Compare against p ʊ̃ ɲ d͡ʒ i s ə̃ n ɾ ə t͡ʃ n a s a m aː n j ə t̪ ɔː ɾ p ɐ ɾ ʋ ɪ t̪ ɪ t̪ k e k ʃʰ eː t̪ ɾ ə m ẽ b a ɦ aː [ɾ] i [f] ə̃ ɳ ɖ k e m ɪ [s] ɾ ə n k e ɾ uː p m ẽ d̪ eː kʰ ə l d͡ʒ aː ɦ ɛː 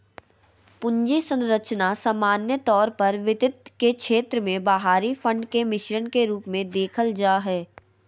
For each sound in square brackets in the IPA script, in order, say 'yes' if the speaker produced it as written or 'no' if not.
yes, yes, no

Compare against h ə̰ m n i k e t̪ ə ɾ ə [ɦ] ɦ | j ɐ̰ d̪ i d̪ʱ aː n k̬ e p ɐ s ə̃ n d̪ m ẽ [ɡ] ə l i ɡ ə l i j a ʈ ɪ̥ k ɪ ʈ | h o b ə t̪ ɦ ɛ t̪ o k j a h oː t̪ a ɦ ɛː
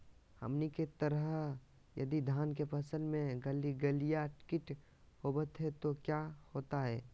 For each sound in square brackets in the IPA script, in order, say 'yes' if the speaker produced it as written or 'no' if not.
yes, yes

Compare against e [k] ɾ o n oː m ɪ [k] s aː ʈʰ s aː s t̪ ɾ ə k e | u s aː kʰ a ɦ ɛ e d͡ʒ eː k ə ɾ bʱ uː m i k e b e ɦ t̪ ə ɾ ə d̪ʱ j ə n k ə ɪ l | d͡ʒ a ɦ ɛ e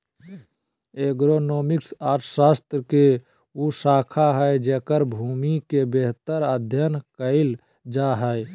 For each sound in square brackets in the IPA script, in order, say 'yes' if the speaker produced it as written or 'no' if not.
no, yes

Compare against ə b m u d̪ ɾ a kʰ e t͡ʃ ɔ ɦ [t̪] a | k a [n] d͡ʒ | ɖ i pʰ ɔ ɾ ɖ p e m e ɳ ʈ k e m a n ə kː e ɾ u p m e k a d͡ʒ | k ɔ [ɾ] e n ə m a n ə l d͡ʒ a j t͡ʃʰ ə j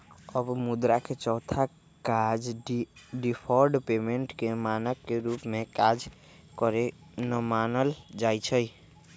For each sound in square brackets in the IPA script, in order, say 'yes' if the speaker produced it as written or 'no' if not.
no, no, yes

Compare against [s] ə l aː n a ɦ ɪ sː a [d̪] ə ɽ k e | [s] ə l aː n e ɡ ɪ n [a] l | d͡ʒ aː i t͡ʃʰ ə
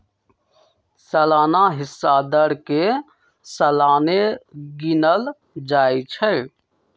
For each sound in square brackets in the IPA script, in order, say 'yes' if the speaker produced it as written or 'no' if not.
yes, yes, yes, no

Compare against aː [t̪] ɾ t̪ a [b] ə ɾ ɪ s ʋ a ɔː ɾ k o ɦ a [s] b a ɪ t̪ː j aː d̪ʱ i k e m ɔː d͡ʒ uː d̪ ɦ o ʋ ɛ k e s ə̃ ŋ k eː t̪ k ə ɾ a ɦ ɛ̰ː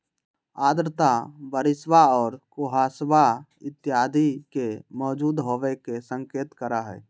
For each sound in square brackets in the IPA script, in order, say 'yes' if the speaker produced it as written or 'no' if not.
no, yes, yes

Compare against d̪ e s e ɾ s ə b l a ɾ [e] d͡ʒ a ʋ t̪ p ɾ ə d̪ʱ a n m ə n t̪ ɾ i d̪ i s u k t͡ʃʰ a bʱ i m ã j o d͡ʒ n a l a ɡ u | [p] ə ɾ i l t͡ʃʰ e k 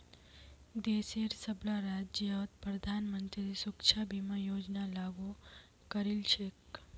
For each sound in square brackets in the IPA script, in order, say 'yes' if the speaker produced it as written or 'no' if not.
no, no

